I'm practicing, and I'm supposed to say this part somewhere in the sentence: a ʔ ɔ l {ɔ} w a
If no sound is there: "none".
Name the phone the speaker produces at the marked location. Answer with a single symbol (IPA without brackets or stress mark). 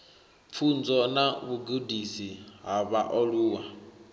u